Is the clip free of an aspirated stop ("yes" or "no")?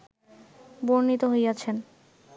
no